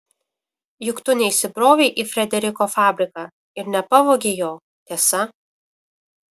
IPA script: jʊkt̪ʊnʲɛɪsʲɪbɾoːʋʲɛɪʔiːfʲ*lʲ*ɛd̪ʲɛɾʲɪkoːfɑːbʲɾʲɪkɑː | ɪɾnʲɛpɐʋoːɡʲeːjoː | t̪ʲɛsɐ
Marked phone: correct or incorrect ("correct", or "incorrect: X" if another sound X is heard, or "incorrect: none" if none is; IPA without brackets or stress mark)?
incorrect: ɾʲ